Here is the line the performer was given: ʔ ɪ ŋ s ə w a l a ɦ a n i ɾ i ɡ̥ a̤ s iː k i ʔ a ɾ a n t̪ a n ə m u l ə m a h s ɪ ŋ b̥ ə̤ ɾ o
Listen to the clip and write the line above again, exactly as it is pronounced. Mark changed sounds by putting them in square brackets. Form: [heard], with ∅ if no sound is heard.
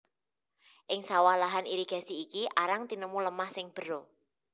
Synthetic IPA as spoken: ʔ ɪ ŋ s [a] w a l a ɦ a n i ɾ i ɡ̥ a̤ s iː k i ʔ a ɾ a [ŋ] t̪ [i] n ə m u l ə m a h s ɪ ŋ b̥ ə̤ ɾ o